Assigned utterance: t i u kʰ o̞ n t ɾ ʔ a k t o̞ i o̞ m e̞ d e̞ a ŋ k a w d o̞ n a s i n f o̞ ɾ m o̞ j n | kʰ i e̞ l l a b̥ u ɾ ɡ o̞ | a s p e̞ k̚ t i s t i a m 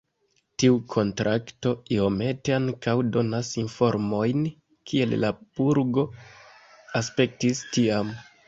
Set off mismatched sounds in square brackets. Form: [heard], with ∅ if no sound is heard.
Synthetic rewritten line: t i u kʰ o̞ n t ɾ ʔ a k t o̞ i o̞ m e̞ [t] e̞ a ŋ k a w d o̞ n a s i n f o̞ ɾ m o̞ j n | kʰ i e̞ l l a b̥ u ɾ ɡ o̞ | a s p e̞ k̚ t i s t i a m